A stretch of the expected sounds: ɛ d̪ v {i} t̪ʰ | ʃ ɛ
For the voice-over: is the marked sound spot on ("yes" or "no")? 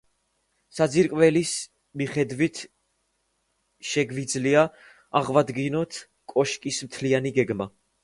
yes